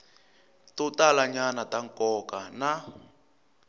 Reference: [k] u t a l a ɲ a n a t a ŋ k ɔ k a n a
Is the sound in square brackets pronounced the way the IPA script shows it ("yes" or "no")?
no